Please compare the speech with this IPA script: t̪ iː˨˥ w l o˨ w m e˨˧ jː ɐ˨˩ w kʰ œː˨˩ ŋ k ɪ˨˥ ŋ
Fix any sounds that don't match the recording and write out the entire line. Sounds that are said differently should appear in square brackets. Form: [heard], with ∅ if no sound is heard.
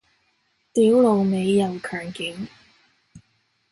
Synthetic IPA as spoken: t̪ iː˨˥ w l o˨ w m e˨˧ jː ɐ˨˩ w kʰ œː˨˩ ŋ k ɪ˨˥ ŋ